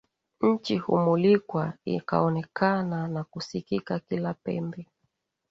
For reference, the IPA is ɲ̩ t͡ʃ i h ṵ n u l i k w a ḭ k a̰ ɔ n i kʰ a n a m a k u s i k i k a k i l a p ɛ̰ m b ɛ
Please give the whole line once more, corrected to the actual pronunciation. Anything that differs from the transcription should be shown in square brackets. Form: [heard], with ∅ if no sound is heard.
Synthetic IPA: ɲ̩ t͡ʃ i h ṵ [m] u l i k w a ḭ k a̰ ɔ n [ɛ] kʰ a n a [n] a k u s i k i k a k i l a p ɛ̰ m b ɛ